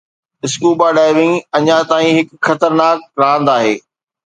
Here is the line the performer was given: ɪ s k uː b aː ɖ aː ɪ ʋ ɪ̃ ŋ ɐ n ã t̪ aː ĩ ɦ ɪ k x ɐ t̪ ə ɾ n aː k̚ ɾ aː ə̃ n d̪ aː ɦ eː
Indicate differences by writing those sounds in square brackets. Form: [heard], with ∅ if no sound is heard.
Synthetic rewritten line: ɪ s k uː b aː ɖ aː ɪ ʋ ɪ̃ ŋ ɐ [ɲ] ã t̪ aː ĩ ɦ ɪ k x ɐ t̪ ə ɾ n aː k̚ ɾ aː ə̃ n d̪ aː ɦ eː